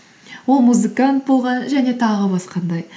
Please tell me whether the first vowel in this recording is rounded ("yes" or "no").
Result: yes